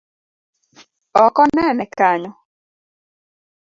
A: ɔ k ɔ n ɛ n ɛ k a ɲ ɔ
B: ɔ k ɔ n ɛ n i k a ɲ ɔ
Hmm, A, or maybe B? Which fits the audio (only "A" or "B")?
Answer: A